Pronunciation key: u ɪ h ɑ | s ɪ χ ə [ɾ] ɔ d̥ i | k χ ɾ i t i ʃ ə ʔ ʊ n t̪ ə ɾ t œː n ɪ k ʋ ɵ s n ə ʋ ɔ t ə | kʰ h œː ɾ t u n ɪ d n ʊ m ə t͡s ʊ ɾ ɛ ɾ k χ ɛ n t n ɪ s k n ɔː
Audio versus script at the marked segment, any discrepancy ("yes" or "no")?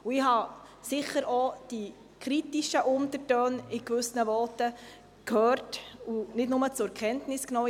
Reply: no